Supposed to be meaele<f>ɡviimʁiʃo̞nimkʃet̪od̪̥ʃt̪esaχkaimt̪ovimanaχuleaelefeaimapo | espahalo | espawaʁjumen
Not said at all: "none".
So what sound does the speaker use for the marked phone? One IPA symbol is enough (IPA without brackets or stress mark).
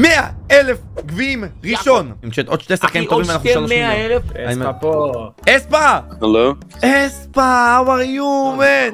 f